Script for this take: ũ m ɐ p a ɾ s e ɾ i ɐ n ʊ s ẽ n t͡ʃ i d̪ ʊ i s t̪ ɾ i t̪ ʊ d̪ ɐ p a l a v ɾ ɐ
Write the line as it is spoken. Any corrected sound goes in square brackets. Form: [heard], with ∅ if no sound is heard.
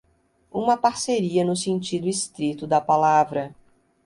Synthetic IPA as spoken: ũ m ɐ p a ɾ s e ɾ i ɐ n ʊ s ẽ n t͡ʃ i d̪ ʊ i s t̪ ɾ i t̪ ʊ d̪ ɐ p a l a v ɾ ɐ